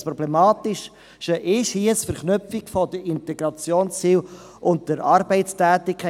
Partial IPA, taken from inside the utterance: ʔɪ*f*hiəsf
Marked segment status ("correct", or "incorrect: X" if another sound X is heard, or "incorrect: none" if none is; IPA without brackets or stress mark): incorrect: ʃ